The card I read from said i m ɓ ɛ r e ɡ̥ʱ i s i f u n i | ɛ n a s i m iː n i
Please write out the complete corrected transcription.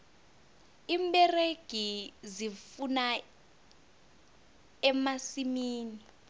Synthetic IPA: i m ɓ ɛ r e ɡ̥ʱ i z i f u n a | ɛ m a s i m iː n i